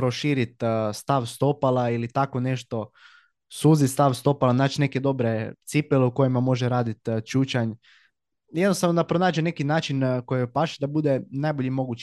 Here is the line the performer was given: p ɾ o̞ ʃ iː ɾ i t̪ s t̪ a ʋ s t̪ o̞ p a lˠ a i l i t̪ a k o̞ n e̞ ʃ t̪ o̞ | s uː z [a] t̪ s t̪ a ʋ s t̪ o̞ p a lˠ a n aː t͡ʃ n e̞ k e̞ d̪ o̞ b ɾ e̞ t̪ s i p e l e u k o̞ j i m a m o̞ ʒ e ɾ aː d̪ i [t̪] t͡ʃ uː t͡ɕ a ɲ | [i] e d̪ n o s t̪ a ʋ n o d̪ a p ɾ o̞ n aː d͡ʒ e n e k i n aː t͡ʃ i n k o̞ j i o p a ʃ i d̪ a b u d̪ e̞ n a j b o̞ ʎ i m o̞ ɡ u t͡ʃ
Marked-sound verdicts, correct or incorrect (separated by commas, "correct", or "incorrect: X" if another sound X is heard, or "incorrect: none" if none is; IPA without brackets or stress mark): incorrect: i, correct, incorrect: j